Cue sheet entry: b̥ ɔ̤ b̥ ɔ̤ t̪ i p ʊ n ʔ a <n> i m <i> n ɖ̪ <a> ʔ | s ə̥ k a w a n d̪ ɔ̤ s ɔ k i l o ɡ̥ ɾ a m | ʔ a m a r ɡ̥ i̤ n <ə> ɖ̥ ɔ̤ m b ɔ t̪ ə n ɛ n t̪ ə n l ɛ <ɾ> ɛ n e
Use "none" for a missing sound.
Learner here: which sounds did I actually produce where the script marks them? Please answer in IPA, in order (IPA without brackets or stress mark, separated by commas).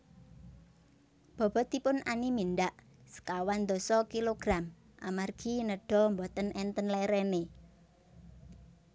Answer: n, i, a, ə, ɾ